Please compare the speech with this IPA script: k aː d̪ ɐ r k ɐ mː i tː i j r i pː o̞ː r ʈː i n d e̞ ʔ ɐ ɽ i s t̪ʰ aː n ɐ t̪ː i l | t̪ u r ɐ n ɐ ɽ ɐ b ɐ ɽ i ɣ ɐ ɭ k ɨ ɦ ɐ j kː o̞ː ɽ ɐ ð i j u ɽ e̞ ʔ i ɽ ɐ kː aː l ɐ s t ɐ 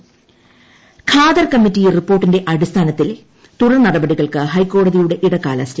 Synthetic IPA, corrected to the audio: kʰ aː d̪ ɐ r k ɐ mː i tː i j r i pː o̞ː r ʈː i n d e̞ ʔ ɐ ɽ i s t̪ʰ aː n ɐ t̪ː i l | t̪ u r ɐ n ɐ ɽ ɐ b ɐ ɽ i ɣ ɐ ɭ k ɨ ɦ ɐ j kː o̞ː ɽ ɐ ð i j u ɽ e̞ ʔ i ɽ ɐ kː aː l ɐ s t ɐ